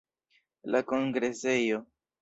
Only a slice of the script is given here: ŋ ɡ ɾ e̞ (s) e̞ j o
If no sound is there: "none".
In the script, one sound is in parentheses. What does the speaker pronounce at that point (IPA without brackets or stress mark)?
s